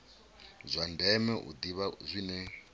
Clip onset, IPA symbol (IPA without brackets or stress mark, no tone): zʷ